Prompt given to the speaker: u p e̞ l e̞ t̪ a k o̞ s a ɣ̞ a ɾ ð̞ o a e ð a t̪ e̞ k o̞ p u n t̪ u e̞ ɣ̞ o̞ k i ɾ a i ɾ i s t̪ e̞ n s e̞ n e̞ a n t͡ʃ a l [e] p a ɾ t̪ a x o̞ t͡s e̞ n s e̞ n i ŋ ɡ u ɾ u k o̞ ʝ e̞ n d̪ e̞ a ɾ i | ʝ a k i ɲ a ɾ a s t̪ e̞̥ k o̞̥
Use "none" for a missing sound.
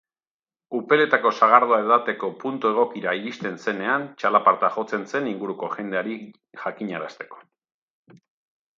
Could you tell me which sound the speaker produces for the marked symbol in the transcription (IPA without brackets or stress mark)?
a